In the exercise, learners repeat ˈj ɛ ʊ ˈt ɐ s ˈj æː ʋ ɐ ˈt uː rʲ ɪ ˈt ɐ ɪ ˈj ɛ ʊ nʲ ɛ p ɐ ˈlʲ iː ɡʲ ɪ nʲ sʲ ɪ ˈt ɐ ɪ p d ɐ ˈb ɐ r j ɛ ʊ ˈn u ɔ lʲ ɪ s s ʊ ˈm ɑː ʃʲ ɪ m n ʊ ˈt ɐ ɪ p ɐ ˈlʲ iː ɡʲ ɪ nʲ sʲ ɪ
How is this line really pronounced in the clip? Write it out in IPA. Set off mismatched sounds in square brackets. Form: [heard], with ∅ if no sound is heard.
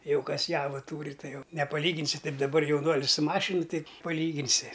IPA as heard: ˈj ɛ ʊ [ˈk] ɐ s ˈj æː ʋ ɐ ˈt uː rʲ ɪ ˈt ɐ ɪ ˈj ɛ ʊ nʲ ɛ p ɐ ˈlʲ iː ɡʲ ɪ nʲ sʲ ɪ ˈt ɐ ɪ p d ɐ ˈb ɐ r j ɛ ʊ ˈn u ɔ lʲ ɪ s s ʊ ˈm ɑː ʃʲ ɪ [∅] n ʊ ˈt ɐ ɪ p ɐ ˈlʲ iː ɡʲ ɪ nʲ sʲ ɪ